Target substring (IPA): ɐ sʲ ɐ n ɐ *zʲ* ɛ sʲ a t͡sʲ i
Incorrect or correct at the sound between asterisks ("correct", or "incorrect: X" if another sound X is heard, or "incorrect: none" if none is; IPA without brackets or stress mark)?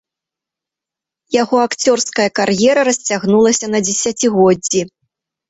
incorrect: d͡zʲ